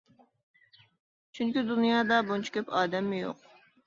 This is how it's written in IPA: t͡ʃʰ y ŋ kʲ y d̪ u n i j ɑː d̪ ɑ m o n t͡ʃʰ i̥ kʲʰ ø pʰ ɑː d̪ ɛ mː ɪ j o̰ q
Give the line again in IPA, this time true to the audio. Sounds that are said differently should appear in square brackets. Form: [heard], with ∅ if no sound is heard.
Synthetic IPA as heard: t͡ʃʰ y ŋ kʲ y d̪ u n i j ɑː d̪ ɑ [b] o n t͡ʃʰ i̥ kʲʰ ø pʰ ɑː d̪ ɛ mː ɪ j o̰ q